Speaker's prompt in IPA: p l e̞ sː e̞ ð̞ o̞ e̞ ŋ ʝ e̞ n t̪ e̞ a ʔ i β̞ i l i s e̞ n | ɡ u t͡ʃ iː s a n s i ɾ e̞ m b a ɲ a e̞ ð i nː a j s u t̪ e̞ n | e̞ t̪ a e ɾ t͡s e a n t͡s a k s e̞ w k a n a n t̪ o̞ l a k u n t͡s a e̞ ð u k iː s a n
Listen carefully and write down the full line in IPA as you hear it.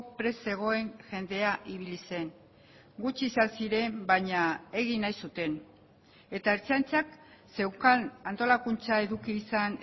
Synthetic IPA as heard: p ɾ e̞ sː e̞ ɣ̞ o̞ e̞ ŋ ʝ e̞ n d̪ e̞ a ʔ i β̞ i l i s e̞ n | ɡ u t͡ʃ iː s a n s i ɾ e̞ m b a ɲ a e̞ ɣ i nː a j s u t̪ e̞ n | e̞ t̪ a e ɾ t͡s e a n t͡s a k s e̞ w k a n a n t̪ o̞ l a k u n t͡s a e̞ ð u k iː s a n